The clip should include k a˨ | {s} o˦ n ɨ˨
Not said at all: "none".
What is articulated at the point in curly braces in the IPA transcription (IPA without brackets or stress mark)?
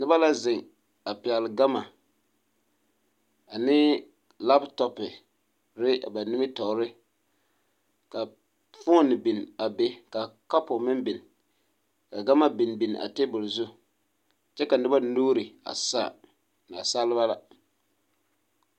f